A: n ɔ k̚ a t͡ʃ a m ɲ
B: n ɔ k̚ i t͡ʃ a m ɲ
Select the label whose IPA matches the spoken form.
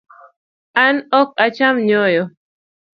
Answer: A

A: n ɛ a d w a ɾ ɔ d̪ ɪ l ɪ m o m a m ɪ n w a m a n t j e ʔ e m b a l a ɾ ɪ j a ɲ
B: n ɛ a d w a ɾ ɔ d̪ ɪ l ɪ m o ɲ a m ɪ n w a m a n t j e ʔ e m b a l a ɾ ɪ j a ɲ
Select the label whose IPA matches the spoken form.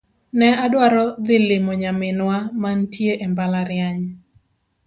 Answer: B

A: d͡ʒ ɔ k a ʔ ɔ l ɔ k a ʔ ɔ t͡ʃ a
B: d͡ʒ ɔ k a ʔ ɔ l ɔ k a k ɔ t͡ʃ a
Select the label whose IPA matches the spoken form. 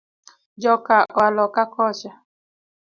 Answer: B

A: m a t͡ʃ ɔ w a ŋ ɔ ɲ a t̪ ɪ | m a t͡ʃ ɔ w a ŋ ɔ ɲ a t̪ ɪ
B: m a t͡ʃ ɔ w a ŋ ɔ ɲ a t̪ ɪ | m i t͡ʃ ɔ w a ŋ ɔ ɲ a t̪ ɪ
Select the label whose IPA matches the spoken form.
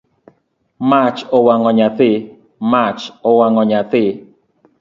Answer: A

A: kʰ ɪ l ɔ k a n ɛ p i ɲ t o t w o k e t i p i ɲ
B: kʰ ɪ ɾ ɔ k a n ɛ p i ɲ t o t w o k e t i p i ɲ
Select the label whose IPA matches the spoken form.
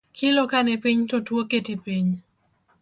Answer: A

